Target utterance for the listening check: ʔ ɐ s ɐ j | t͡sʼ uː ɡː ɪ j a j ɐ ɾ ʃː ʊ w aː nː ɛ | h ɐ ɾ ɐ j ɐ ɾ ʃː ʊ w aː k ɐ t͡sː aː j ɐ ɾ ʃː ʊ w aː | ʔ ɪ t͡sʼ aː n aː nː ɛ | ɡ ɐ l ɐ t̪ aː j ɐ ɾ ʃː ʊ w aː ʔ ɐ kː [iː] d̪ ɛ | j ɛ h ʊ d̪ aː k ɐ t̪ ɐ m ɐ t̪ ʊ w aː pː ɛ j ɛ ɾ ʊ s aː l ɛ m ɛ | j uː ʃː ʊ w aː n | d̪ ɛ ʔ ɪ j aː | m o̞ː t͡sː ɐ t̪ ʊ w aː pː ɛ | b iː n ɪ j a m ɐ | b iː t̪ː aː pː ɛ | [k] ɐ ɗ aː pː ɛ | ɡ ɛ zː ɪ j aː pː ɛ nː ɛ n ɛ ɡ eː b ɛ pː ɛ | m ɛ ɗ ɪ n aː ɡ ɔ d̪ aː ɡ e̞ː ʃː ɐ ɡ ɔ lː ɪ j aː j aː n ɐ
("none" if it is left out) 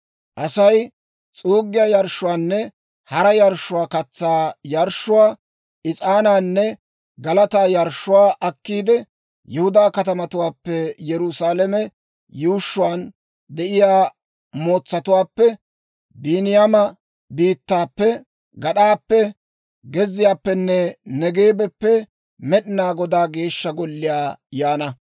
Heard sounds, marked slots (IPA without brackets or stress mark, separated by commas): iː, ɡ